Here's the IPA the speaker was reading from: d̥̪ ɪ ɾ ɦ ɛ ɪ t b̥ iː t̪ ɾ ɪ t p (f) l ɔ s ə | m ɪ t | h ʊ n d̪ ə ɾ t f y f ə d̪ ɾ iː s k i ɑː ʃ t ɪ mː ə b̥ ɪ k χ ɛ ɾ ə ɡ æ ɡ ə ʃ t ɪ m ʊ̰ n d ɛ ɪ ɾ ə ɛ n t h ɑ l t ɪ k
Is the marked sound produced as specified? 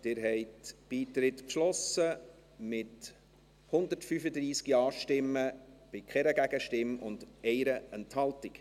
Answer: no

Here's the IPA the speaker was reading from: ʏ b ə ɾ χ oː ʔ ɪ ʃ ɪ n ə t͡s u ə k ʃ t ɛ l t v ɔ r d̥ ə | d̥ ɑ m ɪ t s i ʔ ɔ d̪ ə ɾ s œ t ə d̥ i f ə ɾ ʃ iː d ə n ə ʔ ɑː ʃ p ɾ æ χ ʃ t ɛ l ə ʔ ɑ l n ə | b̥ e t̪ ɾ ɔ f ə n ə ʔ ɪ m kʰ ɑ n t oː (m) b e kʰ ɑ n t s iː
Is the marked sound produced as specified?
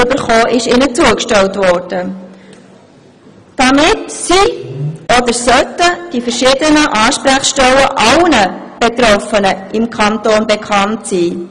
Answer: no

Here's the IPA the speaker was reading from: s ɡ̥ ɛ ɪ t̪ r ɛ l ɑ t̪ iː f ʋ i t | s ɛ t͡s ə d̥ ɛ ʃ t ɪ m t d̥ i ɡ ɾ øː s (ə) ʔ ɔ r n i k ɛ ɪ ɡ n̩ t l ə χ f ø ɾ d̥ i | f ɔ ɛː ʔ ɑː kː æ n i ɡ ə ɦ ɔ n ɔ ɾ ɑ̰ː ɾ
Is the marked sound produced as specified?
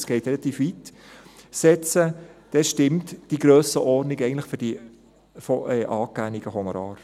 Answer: yes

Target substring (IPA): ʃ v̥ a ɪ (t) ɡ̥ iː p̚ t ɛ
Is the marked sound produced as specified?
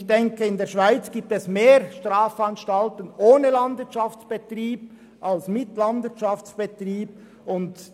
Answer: no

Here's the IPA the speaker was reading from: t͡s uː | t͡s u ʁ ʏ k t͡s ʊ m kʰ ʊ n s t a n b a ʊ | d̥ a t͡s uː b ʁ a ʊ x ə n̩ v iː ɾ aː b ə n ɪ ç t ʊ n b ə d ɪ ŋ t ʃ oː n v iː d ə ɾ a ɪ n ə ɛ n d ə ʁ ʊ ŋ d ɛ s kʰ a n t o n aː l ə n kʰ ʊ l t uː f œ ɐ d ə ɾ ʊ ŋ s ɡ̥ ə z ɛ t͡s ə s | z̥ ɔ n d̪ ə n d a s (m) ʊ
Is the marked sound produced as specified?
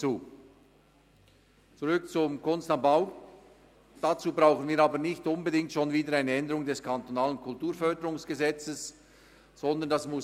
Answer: yes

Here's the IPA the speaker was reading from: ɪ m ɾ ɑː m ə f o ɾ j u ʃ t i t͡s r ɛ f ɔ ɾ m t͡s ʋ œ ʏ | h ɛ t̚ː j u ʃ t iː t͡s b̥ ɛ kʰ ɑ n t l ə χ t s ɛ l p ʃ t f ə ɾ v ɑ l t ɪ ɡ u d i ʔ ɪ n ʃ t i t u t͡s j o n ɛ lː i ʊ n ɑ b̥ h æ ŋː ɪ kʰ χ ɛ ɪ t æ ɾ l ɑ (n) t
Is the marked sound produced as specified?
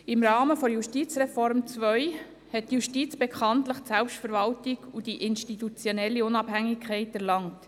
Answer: no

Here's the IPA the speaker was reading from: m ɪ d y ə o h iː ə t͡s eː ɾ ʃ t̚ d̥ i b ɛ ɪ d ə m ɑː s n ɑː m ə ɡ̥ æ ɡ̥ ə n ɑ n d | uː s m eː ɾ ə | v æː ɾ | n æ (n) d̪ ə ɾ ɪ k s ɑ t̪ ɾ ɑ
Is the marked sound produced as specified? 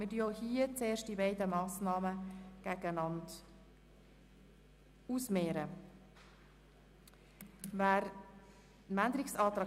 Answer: yes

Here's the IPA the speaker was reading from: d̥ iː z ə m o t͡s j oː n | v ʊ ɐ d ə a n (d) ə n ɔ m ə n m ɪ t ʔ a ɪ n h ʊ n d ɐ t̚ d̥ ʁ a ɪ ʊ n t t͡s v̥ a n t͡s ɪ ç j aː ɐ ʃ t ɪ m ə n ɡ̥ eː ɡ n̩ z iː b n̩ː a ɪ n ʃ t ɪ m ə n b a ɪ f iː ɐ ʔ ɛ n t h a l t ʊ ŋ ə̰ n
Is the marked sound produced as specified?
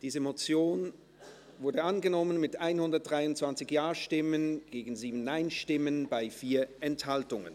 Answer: no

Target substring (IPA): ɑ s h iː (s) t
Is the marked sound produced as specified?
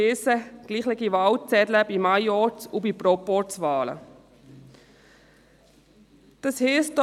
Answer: yes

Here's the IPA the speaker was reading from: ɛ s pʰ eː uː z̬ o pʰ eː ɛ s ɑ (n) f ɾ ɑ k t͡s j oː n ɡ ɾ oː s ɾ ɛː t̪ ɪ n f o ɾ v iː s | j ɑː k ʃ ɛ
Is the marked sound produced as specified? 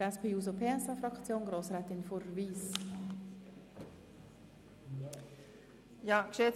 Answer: no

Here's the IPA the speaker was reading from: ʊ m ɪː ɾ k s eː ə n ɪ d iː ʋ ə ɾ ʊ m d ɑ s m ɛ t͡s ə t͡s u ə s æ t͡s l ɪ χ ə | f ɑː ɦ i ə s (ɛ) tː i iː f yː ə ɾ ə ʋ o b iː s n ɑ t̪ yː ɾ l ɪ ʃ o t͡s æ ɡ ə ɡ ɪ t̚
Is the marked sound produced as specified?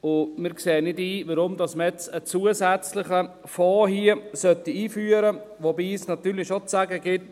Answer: no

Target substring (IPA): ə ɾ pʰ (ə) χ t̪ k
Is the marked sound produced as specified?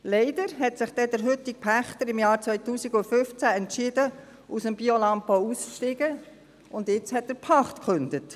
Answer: no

